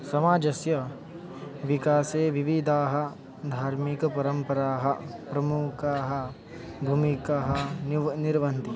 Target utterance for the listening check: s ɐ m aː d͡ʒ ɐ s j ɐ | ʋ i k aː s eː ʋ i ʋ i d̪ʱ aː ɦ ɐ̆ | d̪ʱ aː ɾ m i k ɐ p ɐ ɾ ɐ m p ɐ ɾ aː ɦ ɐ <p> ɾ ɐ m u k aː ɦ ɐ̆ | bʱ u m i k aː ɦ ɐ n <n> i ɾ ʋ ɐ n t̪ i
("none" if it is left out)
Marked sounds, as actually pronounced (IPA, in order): p, n

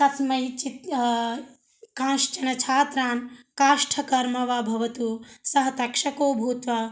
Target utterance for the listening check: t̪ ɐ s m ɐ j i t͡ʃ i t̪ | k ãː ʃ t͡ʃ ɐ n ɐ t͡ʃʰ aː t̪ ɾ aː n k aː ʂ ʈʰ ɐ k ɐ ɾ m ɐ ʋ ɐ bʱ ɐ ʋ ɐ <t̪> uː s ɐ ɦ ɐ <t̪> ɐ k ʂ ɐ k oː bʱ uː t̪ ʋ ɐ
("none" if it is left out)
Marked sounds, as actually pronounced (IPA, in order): t̪, t̪

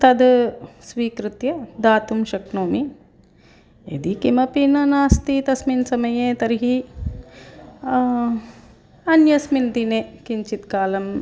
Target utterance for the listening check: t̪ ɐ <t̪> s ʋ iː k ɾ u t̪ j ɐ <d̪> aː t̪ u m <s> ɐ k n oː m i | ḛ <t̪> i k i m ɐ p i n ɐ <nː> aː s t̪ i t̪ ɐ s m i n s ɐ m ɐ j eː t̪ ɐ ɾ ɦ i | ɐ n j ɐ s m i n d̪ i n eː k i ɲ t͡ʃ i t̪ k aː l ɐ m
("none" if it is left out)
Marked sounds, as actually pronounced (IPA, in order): d̪, d̪, ʃ, d̪, n

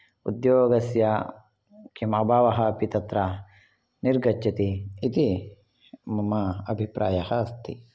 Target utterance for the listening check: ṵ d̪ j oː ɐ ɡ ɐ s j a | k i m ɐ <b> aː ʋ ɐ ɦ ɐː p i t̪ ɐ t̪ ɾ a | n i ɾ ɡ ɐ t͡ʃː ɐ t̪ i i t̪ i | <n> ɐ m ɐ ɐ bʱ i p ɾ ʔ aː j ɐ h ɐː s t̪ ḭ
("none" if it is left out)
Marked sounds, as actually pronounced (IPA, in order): b, m

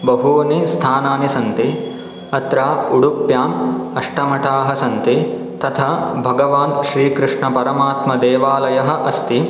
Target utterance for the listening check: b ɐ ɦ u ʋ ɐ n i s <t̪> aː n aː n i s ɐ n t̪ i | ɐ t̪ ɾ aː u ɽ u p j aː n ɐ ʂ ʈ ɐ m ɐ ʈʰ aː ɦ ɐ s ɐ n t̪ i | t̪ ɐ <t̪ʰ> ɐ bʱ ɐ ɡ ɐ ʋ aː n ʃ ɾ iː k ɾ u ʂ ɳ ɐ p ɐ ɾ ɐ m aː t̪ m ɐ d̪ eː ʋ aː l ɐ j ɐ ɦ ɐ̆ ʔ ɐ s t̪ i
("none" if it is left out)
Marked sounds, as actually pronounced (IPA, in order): t̪ʰ, t̪ʰ

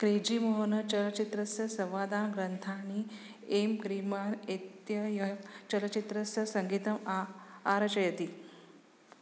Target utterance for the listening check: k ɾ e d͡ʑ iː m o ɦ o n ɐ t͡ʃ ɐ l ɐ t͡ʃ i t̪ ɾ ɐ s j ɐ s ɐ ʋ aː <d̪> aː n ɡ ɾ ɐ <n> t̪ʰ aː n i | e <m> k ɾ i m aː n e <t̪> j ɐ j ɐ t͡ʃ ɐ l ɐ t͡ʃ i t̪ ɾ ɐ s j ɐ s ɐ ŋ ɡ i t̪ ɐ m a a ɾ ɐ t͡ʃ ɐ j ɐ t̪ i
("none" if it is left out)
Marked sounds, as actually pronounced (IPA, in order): d̪, n, m, t̪

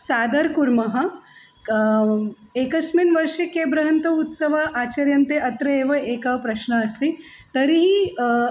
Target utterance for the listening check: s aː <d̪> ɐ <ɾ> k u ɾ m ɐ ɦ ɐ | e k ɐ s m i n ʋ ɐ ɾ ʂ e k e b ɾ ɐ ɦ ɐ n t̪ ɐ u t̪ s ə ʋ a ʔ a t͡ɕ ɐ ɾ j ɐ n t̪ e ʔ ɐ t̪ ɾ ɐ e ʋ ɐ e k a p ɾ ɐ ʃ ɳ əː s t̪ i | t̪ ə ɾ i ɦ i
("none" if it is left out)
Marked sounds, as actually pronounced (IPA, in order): d̪, ɾ

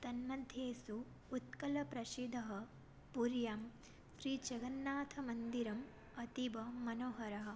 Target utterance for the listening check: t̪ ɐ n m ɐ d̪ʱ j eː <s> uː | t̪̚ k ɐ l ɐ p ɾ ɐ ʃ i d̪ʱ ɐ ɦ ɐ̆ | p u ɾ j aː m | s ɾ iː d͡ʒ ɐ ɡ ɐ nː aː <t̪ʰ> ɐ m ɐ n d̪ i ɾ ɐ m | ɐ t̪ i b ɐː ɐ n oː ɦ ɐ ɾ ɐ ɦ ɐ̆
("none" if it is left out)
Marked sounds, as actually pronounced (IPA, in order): s, t̪ʰ

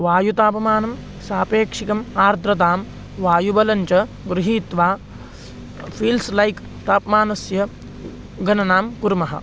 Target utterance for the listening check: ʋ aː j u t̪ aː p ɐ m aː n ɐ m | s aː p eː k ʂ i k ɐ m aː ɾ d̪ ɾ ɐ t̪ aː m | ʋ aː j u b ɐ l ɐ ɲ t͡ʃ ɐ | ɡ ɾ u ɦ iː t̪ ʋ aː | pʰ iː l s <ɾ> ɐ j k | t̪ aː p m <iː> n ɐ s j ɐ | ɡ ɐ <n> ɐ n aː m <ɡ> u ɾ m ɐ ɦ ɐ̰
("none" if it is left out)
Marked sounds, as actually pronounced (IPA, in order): l, aː, n, k

